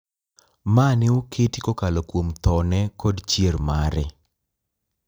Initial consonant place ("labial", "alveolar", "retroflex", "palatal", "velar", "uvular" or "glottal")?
labial